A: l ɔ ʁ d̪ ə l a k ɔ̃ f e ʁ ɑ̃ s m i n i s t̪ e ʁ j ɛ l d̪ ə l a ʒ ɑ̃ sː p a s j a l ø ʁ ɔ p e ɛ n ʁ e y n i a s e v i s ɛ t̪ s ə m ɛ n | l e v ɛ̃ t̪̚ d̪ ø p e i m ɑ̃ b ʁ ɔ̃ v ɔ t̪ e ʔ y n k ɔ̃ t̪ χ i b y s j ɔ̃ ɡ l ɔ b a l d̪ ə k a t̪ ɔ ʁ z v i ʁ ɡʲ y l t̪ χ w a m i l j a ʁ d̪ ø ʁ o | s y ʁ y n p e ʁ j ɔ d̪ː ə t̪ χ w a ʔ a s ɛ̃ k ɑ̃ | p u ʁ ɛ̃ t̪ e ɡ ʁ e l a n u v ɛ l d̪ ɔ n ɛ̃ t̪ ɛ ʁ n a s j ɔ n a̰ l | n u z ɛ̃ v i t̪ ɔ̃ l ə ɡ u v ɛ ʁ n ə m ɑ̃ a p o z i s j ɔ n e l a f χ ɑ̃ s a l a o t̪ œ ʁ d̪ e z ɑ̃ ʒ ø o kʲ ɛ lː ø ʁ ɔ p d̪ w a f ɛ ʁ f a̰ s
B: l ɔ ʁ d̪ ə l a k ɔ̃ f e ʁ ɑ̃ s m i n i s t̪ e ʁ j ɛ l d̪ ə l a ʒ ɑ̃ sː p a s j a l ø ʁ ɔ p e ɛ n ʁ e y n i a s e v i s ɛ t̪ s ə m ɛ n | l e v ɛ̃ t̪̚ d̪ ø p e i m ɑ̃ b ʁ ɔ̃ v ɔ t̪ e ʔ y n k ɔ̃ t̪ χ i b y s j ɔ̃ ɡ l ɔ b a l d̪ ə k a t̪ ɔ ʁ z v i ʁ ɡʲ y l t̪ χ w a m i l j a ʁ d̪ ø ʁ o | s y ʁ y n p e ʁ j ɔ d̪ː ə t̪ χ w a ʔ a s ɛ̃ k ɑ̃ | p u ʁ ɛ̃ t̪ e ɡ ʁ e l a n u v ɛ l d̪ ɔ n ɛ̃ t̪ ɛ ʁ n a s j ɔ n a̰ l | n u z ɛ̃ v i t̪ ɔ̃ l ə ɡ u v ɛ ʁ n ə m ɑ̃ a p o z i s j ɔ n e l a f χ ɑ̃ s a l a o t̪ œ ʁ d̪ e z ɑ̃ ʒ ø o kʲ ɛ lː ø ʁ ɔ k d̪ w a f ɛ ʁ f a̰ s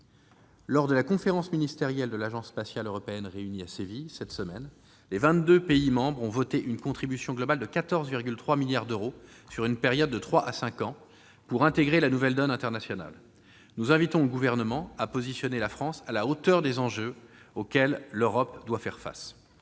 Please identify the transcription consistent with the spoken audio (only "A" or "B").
A